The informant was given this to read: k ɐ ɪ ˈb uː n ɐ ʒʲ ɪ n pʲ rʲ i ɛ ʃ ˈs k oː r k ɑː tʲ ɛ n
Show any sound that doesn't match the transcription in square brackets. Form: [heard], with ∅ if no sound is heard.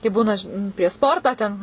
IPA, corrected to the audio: k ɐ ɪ ˈb uː n ɐ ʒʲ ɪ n pʲ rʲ i ɛ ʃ ˈs [p] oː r [t] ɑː tʲ ɛ n

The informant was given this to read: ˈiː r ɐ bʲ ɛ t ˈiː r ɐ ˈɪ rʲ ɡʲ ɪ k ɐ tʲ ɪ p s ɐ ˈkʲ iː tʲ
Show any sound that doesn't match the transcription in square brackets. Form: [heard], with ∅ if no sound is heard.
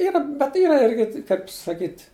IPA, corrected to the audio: ˈiː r ɐ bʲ ɛ t ˈiː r ɐ ˈɪ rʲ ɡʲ ɪ k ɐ [∅] ɪ p s ɐ ˈkʲ iː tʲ

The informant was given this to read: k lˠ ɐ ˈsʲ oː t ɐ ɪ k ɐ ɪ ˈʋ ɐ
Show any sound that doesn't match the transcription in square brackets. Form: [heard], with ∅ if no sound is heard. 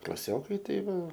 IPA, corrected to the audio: k lˠ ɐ ˈsʲ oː [k] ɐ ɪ [t] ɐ ɪ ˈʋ ɐ

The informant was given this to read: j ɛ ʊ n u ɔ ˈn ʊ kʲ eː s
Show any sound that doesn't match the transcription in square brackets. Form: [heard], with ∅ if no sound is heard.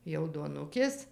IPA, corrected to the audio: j ɛ ʊ [d] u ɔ ˈn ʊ kʲ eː s

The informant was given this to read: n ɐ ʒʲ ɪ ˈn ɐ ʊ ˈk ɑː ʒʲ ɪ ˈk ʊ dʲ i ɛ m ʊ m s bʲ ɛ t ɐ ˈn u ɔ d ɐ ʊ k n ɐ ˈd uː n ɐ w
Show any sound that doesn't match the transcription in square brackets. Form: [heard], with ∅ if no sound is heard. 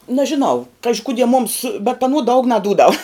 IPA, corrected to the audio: n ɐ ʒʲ ɪ ˈn ɐ ʊ ˈk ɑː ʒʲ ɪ ˈk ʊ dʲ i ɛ m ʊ m s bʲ ɛ t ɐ ˈn u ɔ d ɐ ʊ k n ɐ ˈd uː [d] ɐ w

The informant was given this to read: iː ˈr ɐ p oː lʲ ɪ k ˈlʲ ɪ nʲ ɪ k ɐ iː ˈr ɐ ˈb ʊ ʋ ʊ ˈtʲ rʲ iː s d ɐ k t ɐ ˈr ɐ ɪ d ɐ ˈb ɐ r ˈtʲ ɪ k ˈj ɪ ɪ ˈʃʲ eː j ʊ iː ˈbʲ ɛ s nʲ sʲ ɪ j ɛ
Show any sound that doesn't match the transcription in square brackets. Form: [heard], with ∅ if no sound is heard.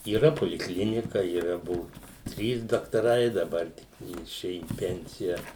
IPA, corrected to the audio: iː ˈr ɐ p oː lʲ ɪ k ˈlʲ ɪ nʲ ɪ k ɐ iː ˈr ɐ ˈb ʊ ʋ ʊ ˈtʲ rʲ iː s d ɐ k t ɐ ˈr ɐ ɪ d ɐ ˈb ɐ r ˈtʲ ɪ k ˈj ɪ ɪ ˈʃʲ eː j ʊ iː [ˈpʲ] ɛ [∅] nʲ sʲ ɪ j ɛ

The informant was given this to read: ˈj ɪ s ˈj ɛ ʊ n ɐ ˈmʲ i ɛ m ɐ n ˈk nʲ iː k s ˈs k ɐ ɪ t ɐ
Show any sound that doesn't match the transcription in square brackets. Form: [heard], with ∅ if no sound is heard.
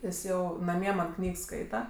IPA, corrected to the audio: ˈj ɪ s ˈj ɛ ʊ n ɐ ˈmʲ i ɛ m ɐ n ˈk nʲ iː k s ˈs k ɐ ɪ t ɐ

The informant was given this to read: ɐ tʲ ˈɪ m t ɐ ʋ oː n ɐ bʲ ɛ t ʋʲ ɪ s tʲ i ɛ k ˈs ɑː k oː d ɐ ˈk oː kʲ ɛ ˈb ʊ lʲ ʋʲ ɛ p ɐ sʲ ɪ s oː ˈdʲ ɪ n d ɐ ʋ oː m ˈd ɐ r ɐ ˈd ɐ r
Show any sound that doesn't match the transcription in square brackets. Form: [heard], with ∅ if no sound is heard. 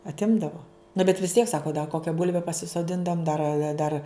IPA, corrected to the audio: ɐ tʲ ˈɪ m [d] ɐ ʋ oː n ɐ bʲ ɛ t ʋʲ ɪ s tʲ i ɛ k ˈs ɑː k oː d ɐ ˈk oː kʲ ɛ ˈb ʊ lʲ ʋʲ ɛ p ɐ sʲ ɪ s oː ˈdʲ ɪ n d ɐ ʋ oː m ˈd ɐ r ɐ ˈd ɐ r

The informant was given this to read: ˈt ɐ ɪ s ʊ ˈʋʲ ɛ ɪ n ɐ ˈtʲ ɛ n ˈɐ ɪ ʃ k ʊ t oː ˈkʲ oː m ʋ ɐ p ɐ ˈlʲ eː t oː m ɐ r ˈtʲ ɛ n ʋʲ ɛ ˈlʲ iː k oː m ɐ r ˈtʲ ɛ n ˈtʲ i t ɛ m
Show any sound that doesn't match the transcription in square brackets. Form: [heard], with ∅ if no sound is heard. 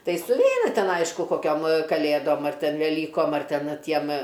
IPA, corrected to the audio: ˈt ɐ ɪ s ʊ ˈʋʲ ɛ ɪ n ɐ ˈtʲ ɛ n ˈɐ ɪ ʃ k ʊ [k] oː ˈkʲ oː m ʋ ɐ [k] ɐ ˈlʲ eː [d] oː m ɐ r ˈtʲ ɛ n ʋʲ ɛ ˈlʲ iː k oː m ɐ r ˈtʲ ɛ n ˈtʲ i [∅] ɛ m

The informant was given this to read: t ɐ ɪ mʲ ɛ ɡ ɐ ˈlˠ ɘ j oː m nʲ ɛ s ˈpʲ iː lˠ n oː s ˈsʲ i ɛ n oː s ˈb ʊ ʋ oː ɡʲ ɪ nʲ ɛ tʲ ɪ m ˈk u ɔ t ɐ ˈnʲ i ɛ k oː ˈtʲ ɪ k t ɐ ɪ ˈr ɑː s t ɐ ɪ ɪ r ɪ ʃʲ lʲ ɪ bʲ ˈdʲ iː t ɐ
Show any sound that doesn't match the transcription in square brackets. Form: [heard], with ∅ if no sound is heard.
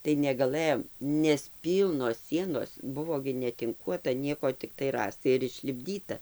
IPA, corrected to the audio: t ɐ ɪ [nʲ] ɛ ɡ ɐ ˈlˠ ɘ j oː m nʲ ɛ s ˈpʲ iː lˠ n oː s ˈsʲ i ɛ n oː s ˈb ʊ ʋ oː ɡʲ ɪ nʲ ɛ tʲ ɪ [ŋ] ˈk u ɔ t ɐ ˈnʲ i ɛ k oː ˈtʲ ɪ k t ɐ ɪ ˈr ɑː s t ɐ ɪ ɪ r ɪ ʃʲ lʲ ɪ bʲ ˈdʲ iː t ɐ

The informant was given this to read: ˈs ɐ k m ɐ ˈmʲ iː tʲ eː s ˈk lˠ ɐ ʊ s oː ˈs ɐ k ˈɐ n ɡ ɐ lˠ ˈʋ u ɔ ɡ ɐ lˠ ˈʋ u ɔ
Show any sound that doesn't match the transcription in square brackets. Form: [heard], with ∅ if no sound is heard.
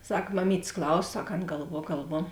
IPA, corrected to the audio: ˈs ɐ k m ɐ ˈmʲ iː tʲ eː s ˈk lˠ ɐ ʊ s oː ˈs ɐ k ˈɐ n ɡ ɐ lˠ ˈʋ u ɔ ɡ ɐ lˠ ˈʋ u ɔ

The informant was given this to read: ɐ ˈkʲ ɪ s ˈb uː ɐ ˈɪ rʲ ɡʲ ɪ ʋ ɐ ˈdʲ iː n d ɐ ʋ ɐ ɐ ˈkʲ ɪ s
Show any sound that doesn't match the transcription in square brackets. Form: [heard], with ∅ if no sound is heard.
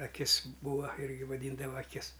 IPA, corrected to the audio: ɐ ˈkʲ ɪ s ˈb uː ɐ ˈɪ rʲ ɡʲ ɪ ʋ ɐ ˈdʲ iː n d ɐ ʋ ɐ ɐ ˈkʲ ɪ s

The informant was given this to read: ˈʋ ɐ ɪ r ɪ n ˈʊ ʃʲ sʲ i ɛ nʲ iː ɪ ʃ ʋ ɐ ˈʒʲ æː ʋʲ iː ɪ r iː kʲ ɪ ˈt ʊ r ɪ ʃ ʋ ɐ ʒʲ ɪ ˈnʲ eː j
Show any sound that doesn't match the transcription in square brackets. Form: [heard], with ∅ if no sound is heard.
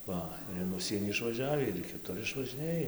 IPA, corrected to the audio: ˈʋ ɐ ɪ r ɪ n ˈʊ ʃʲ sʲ i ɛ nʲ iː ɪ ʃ ʋ ɐ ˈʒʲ æː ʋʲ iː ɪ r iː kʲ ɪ ˈt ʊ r ɪ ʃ ʋ ɐ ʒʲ ɪ ˈnʲ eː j

